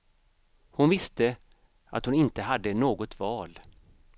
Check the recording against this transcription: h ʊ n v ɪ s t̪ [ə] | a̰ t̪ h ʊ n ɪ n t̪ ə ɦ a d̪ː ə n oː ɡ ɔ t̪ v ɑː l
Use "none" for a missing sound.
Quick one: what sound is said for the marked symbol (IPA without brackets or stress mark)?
ə